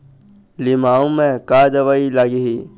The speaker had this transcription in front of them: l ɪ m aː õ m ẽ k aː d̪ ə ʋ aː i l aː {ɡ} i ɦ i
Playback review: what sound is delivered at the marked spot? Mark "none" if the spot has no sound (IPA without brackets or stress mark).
ɡ